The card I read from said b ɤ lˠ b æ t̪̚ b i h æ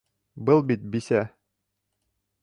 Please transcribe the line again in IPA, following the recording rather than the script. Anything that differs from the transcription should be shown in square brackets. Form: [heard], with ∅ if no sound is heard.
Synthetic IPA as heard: b ɤ lˠ b [i] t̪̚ b i [s] æ